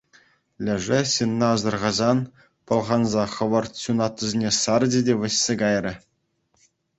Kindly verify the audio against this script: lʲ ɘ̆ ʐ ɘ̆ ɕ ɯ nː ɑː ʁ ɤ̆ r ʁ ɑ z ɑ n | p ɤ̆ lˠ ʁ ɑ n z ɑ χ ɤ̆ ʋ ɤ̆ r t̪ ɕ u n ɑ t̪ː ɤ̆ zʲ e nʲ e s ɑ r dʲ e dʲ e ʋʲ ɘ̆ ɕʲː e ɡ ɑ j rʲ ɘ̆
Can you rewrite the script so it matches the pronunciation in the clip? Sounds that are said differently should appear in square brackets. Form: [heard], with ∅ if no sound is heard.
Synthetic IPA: lʲ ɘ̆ ʐ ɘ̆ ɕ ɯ nː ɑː [z] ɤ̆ r ʁ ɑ z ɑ n | p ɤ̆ lˠ ʁ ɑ n z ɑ χ ɤ̆ ʋ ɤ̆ r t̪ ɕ u n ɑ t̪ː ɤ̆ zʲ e nʲ e s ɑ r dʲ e dʲ e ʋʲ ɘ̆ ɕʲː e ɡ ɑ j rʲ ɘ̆

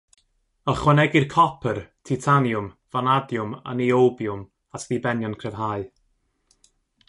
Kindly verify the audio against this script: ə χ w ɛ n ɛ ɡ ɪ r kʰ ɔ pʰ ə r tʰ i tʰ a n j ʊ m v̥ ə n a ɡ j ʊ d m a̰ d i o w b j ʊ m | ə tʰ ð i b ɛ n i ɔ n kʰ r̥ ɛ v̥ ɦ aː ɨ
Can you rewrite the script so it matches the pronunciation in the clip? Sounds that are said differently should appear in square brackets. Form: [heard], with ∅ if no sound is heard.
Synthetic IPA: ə χ w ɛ n ɛ ɡ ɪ r kʰ ɔ pʰ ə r tʰ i tʰ a n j ʊ m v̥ [a] n a [d] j ʊ [∅] m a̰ [n] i o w b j ʊ m | [a] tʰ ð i b ɛ n [j] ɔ n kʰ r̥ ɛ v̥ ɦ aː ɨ

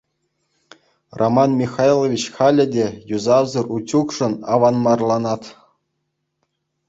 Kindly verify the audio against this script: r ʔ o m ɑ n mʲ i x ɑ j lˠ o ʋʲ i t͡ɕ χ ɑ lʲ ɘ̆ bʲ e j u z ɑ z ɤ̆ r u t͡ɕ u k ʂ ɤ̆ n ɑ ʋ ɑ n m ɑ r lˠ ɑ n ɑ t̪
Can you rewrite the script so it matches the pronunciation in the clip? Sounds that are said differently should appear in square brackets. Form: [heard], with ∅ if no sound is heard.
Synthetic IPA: r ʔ o m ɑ n mʲ i x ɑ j lˠ o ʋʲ i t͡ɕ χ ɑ lʲ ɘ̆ [dʲ] e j u z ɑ z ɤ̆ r u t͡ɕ u k ʂ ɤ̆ n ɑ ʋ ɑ n m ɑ r lˠ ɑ n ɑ t̪

